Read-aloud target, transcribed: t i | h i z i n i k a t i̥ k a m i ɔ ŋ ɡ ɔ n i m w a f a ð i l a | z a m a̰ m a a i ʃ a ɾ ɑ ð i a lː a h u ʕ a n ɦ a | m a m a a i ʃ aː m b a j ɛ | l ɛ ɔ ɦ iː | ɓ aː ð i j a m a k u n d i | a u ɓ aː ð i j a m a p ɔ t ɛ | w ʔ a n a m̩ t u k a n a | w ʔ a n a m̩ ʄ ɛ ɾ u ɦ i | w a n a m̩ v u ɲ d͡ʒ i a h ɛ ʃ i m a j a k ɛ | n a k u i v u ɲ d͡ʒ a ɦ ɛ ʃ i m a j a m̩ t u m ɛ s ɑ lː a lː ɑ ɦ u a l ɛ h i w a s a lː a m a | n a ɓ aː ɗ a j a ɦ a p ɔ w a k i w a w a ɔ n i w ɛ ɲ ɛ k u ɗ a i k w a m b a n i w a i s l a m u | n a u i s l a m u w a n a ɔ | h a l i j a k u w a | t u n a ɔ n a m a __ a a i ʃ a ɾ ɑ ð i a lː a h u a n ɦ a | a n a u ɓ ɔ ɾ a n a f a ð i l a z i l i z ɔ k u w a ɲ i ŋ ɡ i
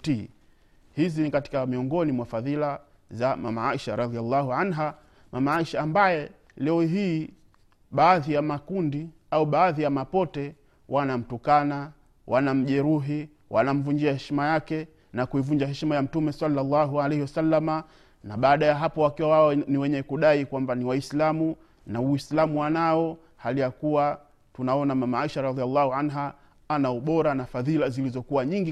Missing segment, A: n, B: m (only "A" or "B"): B